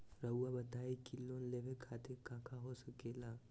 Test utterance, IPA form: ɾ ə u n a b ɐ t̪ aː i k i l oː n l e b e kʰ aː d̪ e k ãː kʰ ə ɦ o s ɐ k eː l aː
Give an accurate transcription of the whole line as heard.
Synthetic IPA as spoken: ɾ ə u a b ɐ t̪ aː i k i l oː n l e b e kʰ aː t̪ e k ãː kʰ a ɦ o s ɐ k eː l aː